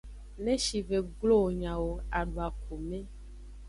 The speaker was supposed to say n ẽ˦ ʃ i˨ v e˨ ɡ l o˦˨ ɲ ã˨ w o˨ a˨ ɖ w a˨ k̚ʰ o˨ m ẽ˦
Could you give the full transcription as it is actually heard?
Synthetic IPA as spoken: n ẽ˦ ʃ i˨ v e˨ ɡ l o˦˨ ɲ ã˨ w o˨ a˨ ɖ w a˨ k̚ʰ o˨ m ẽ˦